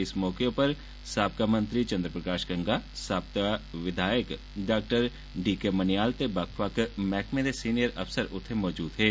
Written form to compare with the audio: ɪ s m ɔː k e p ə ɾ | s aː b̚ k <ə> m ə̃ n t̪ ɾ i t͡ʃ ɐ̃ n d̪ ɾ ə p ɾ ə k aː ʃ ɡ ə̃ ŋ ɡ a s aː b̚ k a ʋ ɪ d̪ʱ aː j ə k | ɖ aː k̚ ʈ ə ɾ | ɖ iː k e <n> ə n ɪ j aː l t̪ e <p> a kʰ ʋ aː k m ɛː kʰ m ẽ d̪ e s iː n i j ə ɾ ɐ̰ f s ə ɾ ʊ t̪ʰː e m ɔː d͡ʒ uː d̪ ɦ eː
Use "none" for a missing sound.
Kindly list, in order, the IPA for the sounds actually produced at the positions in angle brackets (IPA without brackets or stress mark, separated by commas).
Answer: a, m, b